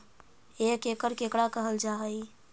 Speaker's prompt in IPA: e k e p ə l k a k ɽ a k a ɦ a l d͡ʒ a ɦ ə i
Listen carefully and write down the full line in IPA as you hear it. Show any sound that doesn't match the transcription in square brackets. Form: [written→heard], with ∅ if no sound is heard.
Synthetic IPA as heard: e k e [p→k] ə [l→ɾ] k [a→e] k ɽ a k [a→ə] ɦ [a→ə] l d͡ʒ a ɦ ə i